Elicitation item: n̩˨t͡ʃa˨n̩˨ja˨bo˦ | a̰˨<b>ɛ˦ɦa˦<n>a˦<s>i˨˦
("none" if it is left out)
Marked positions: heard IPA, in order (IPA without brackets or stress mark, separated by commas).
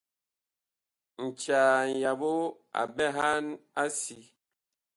b, n, s